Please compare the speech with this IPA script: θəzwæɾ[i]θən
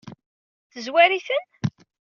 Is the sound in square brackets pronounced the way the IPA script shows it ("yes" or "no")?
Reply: yes